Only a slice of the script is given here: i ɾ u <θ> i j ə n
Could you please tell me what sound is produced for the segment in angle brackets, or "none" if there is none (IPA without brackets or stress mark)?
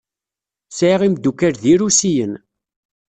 s